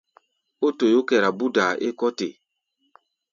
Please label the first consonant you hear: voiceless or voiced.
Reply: voiceless